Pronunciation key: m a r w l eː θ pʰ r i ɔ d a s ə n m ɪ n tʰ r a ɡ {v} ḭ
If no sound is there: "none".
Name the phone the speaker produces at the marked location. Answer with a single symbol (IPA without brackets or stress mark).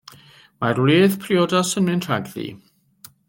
ð